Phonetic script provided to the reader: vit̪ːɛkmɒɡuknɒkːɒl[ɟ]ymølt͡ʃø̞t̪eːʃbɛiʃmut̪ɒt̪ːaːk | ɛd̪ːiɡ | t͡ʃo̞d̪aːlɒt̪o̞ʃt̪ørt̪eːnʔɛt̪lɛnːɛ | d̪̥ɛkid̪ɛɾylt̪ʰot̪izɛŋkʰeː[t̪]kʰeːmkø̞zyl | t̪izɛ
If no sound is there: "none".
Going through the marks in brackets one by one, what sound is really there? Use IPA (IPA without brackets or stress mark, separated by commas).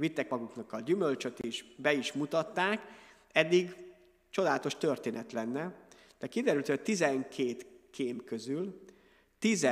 ɟ, t̪